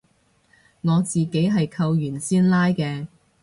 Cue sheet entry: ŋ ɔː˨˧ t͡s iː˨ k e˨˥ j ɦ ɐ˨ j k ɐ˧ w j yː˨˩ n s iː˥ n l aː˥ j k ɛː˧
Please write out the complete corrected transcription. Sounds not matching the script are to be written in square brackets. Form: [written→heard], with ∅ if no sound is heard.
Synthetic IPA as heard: ŋ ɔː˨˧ t͡s iː˨ k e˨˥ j ɦ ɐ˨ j [k→kʰ] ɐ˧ w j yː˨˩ n s iː˥ n l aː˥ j k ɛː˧

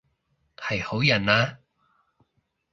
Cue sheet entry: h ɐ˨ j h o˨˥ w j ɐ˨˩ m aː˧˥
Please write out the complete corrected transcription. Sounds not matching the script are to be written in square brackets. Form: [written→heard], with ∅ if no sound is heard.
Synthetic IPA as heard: h ɐ˨ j h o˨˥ w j ɐ˨˩ [m→n] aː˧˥

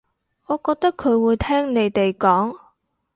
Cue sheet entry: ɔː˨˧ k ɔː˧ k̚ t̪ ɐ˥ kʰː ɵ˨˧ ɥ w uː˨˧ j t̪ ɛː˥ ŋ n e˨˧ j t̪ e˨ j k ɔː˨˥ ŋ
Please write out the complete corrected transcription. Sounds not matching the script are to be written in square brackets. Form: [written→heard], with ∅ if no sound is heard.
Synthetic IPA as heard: ɔː˨˧ k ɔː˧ k̚ t̪ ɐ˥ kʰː ɵ˨˧ ɥ w uː˨˧ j [t̪→t̪ʰ] ɛː˥ ŋ n e˨˧ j t̪ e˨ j k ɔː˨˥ ŋ

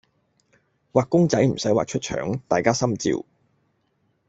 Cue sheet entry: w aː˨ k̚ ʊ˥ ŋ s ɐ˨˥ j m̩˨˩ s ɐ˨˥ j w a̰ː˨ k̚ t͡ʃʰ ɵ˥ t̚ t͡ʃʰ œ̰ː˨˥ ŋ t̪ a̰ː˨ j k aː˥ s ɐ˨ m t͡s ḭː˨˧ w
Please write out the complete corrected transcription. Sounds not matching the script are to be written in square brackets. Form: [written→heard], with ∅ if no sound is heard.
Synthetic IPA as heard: w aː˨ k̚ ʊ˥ ŋ [s→t͡s] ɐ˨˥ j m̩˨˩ s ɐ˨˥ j w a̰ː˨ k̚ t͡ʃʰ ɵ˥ t̚ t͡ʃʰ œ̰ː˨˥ ŋ t̪ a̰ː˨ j k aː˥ s [ɐ˨→ɐ˥] m t͡s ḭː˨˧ w

